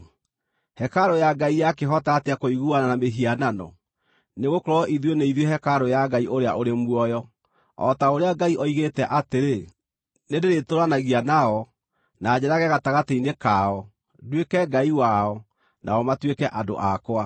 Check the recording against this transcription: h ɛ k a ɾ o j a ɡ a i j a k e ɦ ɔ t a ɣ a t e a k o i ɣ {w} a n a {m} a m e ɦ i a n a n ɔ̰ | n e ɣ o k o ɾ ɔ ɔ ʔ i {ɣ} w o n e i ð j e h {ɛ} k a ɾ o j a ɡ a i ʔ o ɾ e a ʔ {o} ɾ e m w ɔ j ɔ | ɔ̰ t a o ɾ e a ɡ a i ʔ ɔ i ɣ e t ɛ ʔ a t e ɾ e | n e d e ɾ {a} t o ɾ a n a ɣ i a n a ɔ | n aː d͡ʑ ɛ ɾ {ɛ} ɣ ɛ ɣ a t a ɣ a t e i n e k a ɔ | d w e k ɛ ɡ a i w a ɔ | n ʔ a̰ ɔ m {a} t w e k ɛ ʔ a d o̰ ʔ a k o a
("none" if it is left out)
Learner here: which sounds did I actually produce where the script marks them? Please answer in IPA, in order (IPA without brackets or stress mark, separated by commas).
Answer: u, n, ð, ɛ, o, e, a, a